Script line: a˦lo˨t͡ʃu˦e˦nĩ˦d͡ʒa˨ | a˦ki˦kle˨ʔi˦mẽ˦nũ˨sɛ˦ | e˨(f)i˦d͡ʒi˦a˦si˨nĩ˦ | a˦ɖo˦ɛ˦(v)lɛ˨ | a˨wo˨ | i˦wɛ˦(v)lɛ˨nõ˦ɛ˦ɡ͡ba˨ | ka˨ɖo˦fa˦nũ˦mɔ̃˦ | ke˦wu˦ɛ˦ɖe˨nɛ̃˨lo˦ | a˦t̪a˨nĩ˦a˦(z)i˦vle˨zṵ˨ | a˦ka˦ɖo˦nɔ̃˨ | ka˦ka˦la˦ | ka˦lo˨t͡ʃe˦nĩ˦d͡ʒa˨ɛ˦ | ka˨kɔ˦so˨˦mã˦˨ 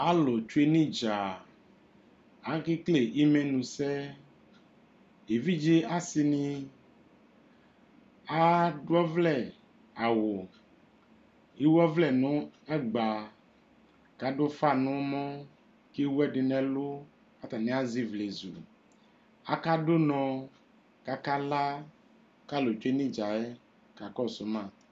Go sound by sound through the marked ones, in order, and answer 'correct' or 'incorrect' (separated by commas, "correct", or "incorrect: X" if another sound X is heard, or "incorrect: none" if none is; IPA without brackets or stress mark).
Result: incorrect: v, correct, correct, correct